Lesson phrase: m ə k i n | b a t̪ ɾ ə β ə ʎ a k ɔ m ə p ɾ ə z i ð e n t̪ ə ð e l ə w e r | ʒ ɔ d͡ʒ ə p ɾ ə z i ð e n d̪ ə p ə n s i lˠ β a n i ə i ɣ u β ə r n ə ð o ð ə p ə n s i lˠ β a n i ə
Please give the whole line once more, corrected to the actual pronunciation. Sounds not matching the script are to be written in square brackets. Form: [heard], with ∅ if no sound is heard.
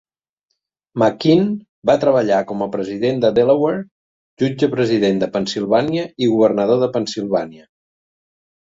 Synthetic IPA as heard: m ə k i n | b a t̪ ɾ ə β ə ʎ a k ɔ m ə p ɾ ə z i ð e n [d̪] ə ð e l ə w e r | ʒ [u] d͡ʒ ə p ɾ ə z i ð e n d̪ ə p ə n s i lˠ β a n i ə i ɣ u β ə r n ə ð o ð ə p ə n s i lˠ β a n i ə